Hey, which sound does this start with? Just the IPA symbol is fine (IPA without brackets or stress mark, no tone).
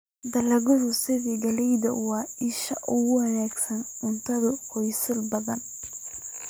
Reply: d̪